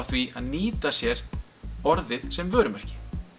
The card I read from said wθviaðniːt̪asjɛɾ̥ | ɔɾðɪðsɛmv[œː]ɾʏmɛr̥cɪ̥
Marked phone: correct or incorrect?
correct